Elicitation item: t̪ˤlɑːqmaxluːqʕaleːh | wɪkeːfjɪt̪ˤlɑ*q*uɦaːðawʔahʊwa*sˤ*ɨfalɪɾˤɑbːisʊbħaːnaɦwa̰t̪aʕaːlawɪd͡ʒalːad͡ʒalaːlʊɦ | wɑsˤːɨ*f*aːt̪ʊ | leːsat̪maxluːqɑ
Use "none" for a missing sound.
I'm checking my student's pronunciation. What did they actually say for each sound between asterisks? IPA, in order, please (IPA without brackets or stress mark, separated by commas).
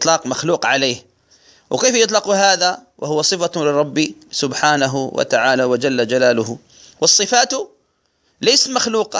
q, sˤ, f